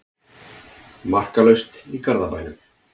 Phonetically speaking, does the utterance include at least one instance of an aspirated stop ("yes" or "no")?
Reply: no